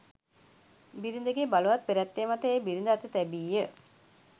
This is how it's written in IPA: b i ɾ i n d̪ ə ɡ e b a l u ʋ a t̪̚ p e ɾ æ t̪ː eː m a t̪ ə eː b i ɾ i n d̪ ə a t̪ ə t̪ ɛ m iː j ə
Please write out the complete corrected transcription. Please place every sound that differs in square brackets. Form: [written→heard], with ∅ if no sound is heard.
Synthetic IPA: b i ɾ i n d̪ ə ɡ e b a l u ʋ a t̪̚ p e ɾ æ t̪ː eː m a t̪ ə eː b i ɾ i n d̪ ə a t̪ ə t̪ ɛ [m→b] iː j ə